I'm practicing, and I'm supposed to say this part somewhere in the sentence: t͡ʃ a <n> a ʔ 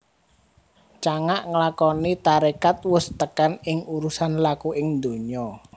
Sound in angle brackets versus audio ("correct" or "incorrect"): incorrect